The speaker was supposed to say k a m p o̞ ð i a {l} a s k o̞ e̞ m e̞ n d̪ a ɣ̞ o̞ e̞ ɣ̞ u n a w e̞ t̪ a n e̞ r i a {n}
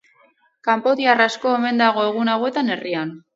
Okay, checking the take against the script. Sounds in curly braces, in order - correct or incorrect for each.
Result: incorrect: r, correct

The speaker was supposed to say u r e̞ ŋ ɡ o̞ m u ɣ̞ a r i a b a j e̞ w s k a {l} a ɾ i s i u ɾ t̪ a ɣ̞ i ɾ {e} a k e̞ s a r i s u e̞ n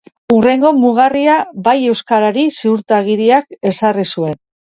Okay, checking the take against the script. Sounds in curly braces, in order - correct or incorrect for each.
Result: incorrect: ɾ, incorrect: i

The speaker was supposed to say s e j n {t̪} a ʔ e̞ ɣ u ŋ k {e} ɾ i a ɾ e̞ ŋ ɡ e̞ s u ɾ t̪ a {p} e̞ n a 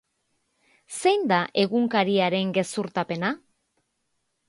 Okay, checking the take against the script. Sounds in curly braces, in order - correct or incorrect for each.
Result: incorrect: d̪, incorrect: a, correct

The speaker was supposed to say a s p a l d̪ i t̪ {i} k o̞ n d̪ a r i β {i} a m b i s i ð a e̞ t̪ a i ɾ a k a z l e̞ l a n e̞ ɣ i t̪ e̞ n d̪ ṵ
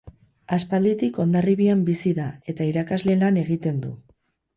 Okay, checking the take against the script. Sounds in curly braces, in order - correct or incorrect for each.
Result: correct, correct

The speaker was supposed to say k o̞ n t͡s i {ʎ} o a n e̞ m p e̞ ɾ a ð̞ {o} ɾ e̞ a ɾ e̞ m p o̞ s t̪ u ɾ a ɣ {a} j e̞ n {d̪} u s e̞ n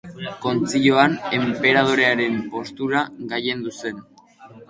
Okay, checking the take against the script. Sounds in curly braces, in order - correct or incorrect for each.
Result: correct, correct, correct, correct

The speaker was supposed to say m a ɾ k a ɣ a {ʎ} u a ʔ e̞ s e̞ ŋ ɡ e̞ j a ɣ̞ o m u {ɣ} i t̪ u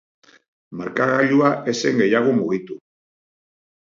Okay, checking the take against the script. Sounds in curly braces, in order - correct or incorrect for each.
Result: correct, correct

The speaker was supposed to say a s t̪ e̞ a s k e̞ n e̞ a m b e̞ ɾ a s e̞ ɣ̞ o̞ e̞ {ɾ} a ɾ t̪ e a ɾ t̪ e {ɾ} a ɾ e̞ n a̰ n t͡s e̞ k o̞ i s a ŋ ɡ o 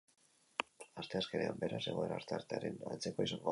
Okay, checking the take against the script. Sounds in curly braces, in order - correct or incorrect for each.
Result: correct, incorrect: none

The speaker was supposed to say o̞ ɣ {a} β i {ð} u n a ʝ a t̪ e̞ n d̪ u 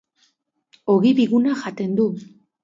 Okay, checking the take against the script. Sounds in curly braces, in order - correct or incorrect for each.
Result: incorrect: i, incorrect: ɣ

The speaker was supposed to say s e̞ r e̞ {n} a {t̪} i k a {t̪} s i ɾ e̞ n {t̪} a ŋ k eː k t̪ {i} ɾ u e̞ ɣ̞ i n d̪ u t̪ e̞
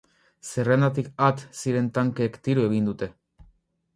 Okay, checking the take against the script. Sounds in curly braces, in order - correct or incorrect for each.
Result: correct, correct, correct, correct, correct

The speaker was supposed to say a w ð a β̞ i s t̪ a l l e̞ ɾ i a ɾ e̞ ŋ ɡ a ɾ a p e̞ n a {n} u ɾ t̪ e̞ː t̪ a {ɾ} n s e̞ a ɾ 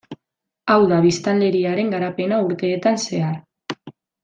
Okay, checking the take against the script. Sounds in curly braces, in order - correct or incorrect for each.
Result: incorrect: none, incorrect: none

